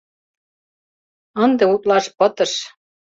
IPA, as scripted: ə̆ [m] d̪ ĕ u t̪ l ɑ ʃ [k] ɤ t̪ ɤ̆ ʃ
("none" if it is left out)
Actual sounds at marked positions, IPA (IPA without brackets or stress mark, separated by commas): n, p